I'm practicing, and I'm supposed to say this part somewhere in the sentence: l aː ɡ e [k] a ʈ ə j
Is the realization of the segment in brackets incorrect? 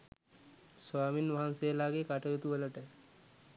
no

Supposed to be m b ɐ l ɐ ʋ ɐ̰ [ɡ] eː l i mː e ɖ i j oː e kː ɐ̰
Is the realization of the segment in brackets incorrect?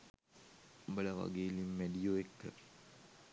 no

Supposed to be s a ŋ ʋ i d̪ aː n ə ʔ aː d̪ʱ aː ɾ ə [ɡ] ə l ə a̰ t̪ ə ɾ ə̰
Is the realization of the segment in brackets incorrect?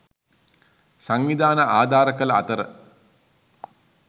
yes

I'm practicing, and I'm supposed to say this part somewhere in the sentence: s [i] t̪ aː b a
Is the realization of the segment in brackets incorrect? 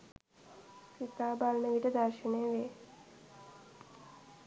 no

